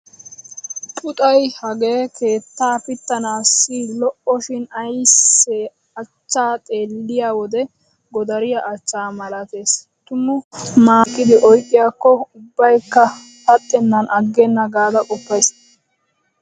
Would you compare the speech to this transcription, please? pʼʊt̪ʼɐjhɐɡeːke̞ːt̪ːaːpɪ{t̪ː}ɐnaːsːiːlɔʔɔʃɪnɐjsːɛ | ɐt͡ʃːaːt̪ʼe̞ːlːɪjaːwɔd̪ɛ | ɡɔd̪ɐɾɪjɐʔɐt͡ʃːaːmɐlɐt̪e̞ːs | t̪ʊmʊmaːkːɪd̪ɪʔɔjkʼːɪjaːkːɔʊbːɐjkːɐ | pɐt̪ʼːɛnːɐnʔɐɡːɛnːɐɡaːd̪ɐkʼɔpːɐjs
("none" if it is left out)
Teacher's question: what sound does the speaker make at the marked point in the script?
t̪ː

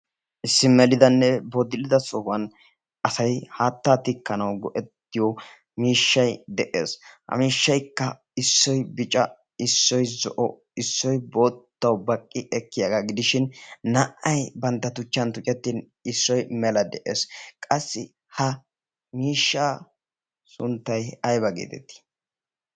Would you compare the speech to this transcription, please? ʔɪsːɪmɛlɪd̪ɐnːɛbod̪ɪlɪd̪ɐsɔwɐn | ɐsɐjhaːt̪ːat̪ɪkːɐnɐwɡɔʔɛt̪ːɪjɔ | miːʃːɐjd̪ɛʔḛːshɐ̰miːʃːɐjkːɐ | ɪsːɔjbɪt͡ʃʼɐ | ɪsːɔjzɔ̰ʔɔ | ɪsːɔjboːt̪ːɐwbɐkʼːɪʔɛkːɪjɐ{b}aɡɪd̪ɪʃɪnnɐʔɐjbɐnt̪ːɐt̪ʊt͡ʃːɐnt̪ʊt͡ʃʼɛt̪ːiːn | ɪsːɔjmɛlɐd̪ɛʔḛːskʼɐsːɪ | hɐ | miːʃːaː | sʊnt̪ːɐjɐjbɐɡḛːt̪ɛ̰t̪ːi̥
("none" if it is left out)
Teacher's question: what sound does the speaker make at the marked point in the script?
ɡ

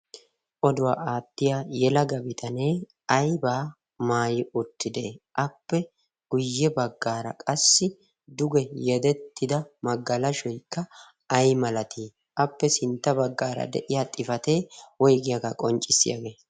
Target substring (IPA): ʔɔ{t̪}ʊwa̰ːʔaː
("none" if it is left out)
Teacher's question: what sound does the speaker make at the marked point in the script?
d̪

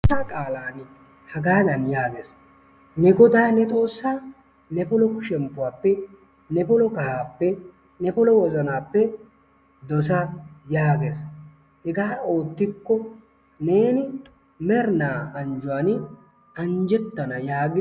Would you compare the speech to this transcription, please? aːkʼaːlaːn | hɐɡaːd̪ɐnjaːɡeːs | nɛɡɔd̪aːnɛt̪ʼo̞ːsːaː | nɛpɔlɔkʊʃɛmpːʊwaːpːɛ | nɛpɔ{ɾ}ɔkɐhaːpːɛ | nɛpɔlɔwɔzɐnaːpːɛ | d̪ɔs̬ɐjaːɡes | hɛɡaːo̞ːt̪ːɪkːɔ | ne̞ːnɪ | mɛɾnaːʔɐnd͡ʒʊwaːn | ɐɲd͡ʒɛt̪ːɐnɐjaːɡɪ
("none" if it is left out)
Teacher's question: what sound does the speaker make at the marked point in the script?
l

